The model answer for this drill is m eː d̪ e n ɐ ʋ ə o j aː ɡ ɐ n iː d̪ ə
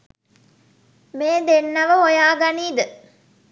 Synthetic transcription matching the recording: m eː d̪ e nː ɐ ʋ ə o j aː ɡ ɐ n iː d̪ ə